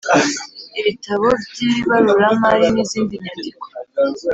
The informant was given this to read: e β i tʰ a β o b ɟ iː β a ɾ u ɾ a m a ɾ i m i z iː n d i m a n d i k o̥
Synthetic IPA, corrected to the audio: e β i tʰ a β o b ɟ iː β a ɾ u ɾ a m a ɾ i n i z iː n d i ɲ a n d i k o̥